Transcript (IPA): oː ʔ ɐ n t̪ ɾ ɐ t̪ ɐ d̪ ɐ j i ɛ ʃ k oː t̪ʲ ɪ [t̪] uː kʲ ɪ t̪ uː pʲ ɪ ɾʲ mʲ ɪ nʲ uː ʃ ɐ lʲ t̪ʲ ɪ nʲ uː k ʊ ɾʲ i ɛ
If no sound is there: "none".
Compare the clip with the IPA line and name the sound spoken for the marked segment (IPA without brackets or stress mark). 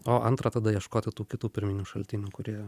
t̪